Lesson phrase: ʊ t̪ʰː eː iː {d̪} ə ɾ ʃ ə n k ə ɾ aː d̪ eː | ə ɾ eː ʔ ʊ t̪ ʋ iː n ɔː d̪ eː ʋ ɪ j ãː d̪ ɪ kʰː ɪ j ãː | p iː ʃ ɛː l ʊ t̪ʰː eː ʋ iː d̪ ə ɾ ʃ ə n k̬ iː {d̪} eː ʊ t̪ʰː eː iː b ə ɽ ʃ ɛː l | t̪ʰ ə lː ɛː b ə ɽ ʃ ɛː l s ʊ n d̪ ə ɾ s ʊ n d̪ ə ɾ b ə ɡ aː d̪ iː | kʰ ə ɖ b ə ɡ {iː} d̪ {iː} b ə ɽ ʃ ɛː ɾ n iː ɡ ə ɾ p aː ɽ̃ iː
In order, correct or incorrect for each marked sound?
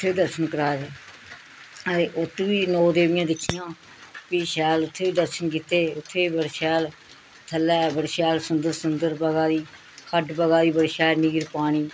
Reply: correct, incorrect: t̪, incorrect: aː, correct

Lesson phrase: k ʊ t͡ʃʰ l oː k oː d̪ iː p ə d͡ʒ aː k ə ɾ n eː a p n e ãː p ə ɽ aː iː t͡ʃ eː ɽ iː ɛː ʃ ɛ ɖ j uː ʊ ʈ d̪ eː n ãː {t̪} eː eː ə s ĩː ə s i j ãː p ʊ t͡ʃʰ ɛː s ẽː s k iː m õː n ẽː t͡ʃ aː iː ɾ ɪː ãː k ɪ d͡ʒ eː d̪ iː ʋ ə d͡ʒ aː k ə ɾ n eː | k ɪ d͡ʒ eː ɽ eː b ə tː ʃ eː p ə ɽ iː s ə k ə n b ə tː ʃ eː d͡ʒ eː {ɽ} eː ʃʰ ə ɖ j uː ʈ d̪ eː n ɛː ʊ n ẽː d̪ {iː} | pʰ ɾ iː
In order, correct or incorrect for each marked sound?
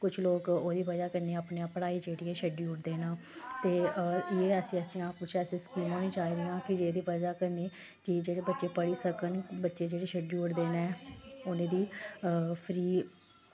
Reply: correct, correct, correct

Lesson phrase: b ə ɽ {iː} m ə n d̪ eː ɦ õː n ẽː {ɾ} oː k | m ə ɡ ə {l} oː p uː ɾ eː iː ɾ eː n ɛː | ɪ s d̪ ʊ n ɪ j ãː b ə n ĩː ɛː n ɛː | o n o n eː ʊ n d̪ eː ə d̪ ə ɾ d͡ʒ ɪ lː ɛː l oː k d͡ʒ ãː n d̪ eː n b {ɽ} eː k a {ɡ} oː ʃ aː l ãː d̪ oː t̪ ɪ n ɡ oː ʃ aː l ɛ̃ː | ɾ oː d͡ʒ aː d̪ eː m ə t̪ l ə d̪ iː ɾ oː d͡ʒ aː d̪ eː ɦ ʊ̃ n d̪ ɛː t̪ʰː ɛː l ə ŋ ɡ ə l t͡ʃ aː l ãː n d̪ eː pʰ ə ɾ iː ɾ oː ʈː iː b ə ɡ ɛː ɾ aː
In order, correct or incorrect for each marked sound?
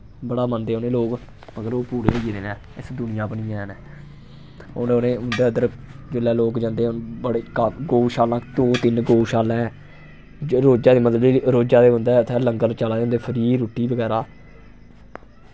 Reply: incorrect: aː, incorrect: l, incorrect: ɾ, correct, correct

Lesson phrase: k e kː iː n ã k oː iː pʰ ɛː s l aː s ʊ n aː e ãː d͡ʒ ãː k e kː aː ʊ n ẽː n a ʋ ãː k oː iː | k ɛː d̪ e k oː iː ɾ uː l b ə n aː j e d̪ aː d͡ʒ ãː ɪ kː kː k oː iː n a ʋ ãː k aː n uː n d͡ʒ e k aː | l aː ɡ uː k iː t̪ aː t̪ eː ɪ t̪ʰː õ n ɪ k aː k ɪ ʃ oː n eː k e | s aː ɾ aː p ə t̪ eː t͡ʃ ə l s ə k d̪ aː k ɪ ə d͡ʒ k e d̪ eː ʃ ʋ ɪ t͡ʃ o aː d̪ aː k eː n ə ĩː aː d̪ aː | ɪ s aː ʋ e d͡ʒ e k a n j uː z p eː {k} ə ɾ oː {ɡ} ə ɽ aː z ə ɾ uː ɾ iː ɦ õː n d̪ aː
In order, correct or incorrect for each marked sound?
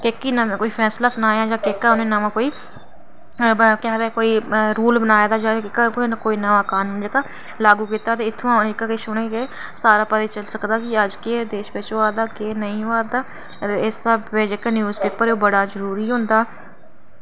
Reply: incorrect: p, incorrect: b

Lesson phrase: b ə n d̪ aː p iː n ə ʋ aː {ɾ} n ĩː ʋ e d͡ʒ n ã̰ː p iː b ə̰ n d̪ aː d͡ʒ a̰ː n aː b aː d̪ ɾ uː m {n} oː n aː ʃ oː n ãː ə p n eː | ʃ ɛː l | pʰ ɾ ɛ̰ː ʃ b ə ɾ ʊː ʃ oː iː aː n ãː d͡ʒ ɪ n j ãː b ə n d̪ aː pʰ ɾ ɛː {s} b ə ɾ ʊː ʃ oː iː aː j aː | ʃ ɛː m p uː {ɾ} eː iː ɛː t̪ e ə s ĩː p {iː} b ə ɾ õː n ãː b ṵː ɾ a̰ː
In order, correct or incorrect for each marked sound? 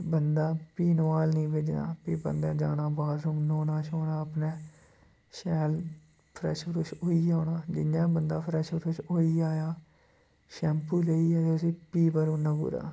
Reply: incorrect: l, correct, incorrect: ʃ, incorrect: l, correct

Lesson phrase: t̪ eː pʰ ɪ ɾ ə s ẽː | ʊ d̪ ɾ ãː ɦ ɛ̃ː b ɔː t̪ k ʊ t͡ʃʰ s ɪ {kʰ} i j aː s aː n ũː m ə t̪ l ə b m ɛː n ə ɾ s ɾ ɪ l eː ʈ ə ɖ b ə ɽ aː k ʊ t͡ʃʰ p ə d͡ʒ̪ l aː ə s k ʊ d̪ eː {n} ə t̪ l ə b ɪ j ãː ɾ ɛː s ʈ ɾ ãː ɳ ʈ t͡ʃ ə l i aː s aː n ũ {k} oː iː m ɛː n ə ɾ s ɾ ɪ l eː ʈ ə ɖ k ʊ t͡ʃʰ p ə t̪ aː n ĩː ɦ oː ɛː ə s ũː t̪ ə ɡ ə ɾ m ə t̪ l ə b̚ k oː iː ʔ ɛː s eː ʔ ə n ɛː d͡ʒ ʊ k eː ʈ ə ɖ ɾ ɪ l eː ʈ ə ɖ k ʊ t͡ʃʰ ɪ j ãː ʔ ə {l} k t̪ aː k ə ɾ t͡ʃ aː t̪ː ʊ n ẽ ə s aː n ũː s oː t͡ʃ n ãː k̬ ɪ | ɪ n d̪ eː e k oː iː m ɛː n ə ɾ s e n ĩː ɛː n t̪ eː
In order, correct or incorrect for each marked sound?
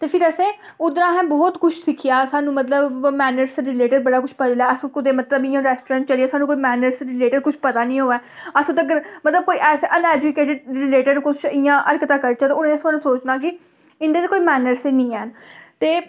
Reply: correct, incorrect: m, correct, incorrect: ɾ

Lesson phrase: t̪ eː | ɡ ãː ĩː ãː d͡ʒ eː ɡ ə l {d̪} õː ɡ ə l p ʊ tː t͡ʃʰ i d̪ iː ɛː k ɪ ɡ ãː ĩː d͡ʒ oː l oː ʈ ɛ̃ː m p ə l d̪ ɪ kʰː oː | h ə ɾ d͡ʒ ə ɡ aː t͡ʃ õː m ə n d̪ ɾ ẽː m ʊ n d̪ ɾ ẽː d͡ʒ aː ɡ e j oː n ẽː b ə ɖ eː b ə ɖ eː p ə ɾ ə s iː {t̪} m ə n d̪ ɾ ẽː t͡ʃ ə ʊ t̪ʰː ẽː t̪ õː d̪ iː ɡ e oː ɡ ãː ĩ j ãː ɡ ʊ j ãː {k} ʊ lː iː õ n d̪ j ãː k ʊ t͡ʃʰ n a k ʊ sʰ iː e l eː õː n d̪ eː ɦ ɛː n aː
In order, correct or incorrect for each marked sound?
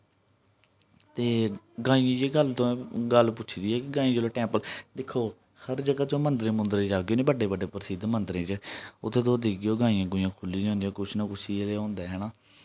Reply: incorrect: t̪, incorrect: d̪, incorrect: kʰ

